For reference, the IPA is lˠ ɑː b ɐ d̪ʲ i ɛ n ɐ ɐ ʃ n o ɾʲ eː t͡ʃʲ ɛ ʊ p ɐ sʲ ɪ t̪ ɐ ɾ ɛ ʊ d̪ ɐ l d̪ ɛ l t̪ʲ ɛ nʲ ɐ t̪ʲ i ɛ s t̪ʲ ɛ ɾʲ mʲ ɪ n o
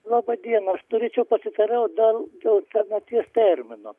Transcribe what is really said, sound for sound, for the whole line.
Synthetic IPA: lˠ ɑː b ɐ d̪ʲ i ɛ n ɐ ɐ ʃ n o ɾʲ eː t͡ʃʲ ɛ ʊ p ɐ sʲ ɪ t̪ ɐ ɾ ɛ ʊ d̪ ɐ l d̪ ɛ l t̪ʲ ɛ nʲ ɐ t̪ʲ i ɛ s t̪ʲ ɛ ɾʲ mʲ ɪ n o